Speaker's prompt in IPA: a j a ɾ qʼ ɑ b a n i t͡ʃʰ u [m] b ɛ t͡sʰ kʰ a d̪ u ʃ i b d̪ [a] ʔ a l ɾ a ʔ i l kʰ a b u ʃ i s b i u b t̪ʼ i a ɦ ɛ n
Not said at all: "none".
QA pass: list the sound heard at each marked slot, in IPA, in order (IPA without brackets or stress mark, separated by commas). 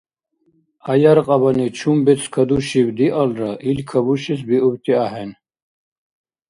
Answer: m, i